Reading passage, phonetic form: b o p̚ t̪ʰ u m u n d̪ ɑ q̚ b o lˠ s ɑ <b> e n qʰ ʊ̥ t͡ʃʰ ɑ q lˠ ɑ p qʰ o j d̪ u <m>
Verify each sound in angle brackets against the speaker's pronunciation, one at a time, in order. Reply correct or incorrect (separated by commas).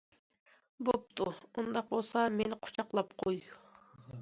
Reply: incorrect, incorrect